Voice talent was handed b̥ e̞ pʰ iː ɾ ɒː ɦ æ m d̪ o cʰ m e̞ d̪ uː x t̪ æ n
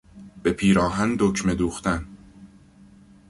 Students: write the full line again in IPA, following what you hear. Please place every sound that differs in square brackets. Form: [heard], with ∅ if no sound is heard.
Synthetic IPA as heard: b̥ e̞ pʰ iː ɾ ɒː ɦ æ [n] d̪ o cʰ m e̞ d̪ uː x t̪ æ n